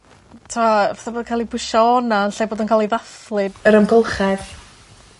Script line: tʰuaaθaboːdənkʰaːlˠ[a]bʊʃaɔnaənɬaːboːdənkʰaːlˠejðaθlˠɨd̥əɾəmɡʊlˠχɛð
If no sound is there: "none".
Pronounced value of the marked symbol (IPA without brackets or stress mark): i